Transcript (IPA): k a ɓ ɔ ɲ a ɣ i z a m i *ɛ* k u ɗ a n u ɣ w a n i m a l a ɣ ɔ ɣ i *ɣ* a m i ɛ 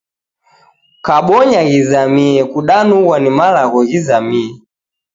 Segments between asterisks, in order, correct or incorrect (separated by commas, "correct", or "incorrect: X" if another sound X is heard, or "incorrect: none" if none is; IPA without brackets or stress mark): correct, incorrect: z